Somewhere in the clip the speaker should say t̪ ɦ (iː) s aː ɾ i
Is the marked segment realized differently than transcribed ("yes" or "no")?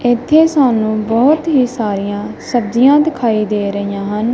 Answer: no